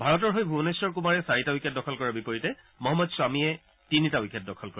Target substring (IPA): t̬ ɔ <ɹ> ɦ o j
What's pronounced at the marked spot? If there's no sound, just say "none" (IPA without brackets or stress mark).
ɹ